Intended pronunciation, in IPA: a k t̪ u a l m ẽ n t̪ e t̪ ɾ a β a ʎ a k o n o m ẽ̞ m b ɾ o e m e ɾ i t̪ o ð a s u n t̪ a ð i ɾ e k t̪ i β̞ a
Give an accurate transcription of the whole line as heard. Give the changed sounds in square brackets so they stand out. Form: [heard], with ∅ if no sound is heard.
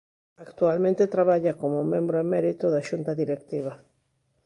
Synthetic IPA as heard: a k t̪ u a l m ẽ n t̪ e t̪ ɾ a β a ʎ a k o [m] o m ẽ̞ m b ɾ o e m e ɾ i t̪ o ð a [ʃ] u n t̪ a ð i ɾ e k t̪ i β̞ a